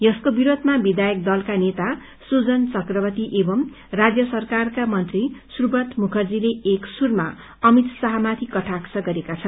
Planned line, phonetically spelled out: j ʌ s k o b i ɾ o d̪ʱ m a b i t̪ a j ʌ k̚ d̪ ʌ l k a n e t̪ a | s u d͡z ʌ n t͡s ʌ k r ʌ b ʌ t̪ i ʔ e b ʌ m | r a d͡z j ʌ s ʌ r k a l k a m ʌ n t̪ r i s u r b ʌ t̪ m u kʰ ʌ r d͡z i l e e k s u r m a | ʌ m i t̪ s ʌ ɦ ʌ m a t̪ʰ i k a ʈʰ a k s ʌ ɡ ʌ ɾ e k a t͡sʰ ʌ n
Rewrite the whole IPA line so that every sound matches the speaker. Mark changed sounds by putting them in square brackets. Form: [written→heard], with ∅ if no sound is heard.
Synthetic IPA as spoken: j ʌ s k o b i ɾ o d̪ʱ m a b i [t̪→d̪] a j ʌ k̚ d̪ ʌ l k a n e t̪ a | s u d͡z ʌ n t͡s ʌ k r ʌ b ʌ t̪ i ʔ e b ʌ m | r a d͡z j ʌ s ʌ r k a [l→r] k a m ʌ n t̪ r i s u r b ʌ t̪ m u kʰ ʌ r d͡z i l e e k s u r m a | ʌ m i t̪ s ʌ ɦ ʌ m a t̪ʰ i k [a→ʌ] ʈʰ a k s ʌ ɡ ʌ ɾ e k a t͡sʰ ʌ n